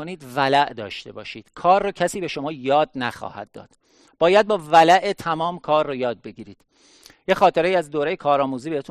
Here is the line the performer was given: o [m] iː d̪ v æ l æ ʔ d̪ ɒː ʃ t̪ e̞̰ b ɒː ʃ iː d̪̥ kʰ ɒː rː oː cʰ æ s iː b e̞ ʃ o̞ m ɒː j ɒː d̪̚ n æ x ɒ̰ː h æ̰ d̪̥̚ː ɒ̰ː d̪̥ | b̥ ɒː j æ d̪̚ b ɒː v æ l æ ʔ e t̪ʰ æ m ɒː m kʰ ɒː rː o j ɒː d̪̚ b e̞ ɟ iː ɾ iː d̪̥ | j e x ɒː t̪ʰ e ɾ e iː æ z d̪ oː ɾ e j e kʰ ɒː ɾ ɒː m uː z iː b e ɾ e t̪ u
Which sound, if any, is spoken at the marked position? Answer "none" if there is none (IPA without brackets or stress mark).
n